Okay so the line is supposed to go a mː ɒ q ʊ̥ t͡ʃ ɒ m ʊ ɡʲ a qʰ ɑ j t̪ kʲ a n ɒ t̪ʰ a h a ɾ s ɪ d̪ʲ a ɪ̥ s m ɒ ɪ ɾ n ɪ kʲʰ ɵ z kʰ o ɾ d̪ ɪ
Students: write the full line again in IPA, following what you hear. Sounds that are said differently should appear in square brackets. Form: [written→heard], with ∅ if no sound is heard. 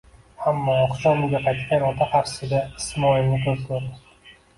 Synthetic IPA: a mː ɒ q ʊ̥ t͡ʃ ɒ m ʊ ɡʲ a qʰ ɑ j t̪ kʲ a n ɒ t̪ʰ a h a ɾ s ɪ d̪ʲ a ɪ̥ s m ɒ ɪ [ɾ→l] n ɪ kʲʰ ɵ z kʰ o ɾ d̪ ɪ